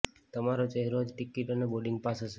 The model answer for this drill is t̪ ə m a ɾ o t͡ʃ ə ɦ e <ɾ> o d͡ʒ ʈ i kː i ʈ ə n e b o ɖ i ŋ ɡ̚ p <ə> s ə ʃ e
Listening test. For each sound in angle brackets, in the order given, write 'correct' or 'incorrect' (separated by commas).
correct, incorrect